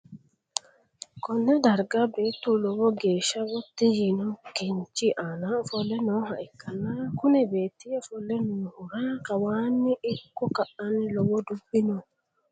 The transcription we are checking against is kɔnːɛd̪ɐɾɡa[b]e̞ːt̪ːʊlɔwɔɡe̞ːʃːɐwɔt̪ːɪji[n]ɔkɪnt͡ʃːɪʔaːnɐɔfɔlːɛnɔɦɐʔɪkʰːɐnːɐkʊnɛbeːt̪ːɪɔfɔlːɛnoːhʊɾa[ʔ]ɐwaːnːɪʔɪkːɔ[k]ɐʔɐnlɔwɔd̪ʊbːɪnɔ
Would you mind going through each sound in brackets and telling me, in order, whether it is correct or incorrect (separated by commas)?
correct, correct, incorrect, correct